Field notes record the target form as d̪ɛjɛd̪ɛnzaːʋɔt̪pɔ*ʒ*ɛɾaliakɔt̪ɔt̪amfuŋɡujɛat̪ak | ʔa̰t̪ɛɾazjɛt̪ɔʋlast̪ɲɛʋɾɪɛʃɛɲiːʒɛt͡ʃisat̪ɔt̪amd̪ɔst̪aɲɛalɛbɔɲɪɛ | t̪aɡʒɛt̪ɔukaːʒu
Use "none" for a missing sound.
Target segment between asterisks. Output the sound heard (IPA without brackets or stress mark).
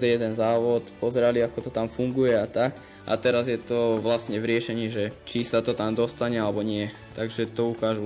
z